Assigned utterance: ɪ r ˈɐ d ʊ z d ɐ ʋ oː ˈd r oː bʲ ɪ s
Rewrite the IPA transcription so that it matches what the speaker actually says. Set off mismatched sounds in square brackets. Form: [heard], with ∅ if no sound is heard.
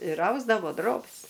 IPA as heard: ɪ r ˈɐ [∅] ʊ z d ɐ ʋ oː ˈd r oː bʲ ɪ s